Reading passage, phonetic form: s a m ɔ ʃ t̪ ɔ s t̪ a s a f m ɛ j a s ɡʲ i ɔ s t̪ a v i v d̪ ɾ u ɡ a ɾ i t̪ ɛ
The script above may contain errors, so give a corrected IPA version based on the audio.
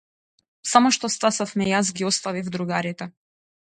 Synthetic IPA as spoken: s a m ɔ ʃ t̪ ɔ s t̪ a s a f m ɛ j a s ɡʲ i ɔ s t̪ a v i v d̪ ɾ u ɡ a ɾ i t̪ ɛ